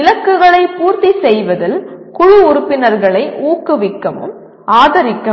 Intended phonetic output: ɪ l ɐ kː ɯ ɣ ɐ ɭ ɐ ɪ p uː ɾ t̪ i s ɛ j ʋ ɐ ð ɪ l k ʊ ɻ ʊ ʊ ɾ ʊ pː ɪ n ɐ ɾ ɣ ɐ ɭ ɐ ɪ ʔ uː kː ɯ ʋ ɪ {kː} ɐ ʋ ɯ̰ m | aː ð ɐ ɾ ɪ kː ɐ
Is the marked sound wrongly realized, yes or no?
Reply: no